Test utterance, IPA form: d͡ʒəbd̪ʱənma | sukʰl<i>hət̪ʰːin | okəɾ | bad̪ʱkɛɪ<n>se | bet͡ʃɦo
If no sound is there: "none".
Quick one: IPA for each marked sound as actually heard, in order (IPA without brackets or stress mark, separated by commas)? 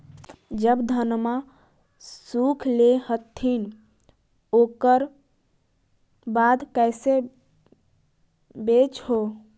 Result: e, none